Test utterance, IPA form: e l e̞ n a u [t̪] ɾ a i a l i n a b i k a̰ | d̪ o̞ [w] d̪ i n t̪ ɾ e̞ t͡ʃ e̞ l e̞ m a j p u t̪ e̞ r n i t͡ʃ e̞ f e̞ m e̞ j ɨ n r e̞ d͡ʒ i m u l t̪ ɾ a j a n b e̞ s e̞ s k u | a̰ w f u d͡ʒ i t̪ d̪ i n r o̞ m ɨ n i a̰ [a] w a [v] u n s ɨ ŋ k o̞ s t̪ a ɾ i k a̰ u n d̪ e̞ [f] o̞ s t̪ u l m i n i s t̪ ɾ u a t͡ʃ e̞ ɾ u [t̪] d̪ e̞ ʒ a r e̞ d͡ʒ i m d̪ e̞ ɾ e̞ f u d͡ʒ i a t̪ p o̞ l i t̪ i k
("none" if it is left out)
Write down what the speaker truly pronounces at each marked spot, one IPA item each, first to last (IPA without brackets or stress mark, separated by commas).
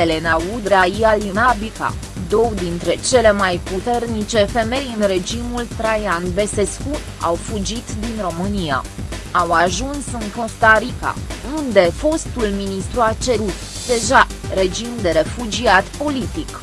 d̪, w, a, ʒ, f, t̪